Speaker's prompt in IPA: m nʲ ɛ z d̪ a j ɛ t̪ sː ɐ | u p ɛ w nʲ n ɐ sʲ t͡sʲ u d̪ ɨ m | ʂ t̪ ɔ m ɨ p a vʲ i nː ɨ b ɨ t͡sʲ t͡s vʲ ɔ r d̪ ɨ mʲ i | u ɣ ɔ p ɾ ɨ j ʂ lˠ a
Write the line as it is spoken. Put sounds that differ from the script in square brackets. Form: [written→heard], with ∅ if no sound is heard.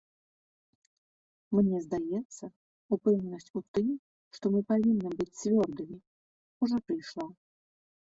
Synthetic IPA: m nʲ ɛ z d̪ a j ɛ t̪ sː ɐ | u p ɛ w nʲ n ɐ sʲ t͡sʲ u [d̪→t̪] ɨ m | ʂ t̪ ɔ m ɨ p a vʲ i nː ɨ b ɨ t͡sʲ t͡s vʲ ɔ r d̪ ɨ mʲ i | u [ɣ→ʐ] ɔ p ɾ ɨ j ʂ lˠ a